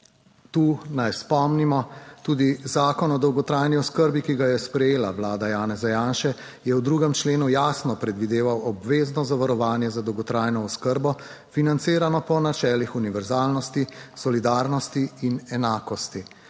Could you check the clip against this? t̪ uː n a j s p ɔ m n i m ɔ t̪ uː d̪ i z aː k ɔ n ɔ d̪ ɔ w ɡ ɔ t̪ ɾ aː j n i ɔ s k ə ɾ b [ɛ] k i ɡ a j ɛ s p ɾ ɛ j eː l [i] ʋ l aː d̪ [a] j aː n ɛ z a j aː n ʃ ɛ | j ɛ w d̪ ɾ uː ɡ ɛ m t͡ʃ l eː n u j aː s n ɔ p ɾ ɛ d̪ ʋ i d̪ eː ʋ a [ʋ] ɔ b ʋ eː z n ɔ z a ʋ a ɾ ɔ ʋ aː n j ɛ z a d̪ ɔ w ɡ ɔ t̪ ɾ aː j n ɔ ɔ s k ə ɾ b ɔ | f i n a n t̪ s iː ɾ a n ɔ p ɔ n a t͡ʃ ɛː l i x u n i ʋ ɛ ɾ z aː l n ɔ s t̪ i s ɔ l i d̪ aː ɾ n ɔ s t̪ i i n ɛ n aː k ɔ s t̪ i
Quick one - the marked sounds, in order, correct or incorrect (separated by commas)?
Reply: incorrect, incorrect, correct, incorrect